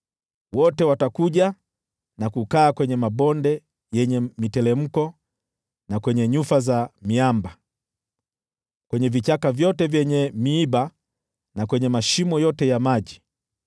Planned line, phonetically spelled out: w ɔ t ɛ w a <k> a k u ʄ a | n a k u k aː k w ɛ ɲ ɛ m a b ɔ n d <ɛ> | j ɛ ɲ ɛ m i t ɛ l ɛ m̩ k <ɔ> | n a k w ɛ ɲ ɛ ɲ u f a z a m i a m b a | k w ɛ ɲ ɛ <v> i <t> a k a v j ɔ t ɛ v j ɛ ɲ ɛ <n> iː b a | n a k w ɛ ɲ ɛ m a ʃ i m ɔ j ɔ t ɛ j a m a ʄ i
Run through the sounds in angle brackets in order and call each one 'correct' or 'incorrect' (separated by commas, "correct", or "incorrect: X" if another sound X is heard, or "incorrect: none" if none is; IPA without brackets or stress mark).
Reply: incorrect: t, correct, correct, correct, incorrect: t͡ʃ, incorrect: m